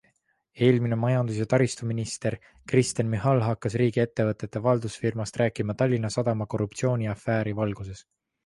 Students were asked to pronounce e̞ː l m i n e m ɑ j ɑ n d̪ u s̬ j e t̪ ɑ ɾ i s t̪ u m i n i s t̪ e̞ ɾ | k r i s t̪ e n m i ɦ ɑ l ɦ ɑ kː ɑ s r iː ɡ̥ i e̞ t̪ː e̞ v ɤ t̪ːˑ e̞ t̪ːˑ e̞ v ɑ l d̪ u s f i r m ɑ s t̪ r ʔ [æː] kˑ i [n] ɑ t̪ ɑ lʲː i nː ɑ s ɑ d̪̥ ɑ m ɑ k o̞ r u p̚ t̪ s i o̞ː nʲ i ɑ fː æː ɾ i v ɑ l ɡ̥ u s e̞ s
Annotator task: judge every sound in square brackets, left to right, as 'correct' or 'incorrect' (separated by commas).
correct, incorrect